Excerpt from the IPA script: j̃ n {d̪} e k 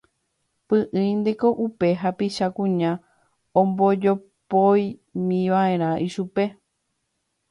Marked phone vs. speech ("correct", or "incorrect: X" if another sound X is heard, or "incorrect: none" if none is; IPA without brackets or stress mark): correct